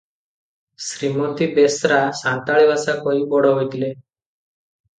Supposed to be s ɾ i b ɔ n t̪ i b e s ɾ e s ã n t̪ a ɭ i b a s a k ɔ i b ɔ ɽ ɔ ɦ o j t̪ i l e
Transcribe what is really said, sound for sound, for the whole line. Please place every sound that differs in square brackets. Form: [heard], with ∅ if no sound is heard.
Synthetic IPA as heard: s ɾ i [m] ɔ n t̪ i b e s ɾ [a] s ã n t̪ a ɭ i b a s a k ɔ i b ɔ ɽ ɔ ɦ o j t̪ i l e